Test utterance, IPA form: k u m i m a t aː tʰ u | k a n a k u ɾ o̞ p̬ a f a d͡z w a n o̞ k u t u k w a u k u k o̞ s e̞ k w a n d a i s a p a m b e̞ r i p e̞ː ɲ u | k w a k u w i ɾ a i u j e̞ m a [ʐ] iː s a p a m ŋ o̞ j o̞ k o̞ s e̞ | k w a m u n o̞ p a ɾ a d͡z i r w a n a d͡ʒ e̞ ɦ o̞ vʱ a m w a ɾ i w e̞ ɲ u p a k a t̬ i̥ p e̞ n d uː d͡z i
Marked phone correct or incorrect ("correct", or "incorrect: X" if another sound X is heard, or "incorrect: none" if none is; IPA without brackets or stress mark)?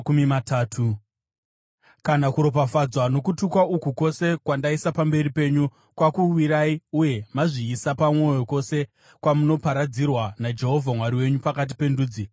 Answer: correct